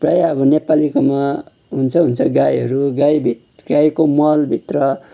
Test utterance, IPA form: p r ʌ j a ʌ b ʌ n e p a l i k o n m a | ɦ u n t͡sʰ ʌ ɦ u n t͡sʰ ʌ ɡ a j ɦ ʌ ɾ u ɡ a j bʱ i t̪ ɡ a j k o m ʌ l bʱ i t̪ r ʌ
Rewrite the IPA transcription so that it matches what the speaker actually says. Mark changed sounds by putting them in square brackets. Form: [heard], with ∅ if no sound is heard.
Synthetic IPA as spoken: p r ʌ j a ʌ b ʌ n e p a l i k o [∅] m a | ɦ u n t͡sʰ ʌ ɦ u n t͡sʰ ʌ ɡ a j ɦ ʌ ɾ u ɡ a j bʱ i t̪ ɡ a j k o m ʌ l bʱ i t̪ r ʌ

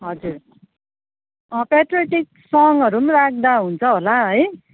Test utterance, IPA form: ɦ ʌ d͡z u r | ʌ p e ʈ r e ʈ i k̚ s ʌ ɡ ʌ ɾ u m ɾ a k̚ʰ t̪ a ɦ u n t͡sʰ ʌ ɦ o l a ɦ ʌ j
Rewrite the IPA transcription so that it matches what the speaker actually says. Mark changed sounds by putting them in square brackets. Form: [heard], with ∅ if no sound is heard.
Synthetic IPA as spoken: ɦ ʌ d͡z u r | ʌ p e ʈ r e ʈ i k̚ s ʌ [ŋ] ʌ ɾ u m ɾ a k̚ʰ [d̪] a ɦ u n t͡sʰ ʌ ɦ o l a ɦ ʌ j

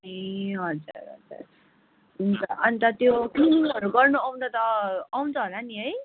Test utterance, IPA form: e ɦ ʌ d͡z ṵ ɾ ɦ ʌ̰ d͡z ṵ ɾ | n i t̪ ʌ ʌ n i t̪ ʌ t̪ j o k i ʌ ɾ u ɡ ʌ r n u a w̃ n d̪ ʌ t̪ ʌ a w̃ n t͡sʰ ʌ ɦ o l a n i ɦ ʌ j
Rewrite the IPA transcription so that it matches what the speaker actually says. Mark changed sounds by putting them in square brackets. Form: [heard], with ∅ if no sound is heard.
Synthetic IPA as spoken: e ɦ ʌ d͡z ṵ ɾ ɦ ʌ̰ d͡z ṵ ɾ | n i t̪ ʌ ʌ n i t̪ ʌ t̪ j o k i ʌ ɾ u ɡ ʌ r n u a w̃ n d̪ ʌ t̪ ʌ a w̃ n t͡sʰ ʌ ɦ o l a n i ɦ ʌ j

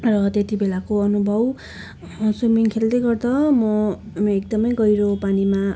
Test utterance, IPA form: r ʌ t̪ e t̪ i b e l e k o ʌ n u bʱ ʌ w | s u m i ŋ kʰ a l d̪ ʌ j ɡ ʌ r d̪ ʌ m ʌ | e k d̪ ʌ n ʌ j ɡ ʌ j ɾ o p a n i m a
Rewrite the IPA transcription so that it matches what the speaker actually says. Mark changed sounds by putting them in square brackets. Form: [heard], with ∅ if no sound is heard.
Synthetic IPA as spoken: r ʌ t̪ e t̪ i b e l [a] k o ʌ n u bʱ ʌ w | s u m i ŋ kʰ [e] l d̪ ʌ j ɡ ʌ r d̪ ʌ m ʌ | e k d̪ ʌ [m] ʌ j ɡ ʌ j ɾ o p a n i m a

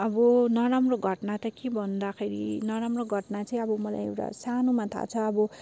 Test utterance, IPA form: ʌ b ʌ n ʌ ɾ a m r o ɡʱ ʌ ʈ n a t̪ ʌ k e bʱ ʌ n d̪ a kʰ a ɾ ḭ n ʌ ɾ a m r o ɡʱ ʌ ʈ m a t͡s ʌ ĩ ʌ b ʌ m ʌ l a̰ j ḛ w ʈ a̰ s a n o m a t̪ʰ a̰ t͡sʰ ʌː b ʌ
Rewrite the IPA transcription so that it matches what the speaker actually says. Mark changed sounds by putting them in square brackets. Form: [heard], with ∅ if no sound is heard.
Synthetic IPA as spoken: ʌ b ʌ n ʌ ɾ a m r o ɡʱ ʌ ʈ n a t̪ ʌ k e bʱ ʌ n d̪ a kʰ [e] ɾ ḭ n ʌ ɾ a m r o ɡʱ ʌ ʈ [n] a t͡s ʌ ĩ ʌ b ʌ m ʌ l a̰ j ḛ w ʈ a̰ s a n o m a t̪ʰ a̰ t͡sʰ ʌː b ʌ

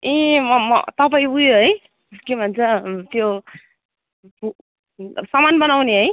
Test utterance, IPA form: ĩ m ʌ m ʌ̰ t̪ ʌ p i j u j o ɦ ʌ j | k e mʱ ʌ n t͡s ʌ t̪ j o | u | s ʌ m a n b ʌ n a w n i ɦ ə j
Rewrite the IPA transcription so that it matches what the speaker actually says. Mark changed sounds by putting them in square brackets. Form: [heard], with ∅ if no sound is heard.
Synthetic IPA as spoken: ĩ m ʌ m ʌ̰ t̪ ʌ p [a] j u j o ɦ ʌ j | k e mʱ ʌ n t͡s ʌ t̪ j o | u | s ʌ m a n b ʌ n a w n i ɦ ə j

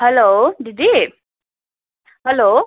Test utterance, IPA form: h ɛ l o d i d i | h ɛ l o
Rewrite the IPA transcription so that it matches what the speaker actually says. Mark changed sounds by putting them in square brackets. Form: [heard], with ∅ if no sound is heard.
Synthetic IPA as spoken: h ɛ l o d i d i | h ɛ l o

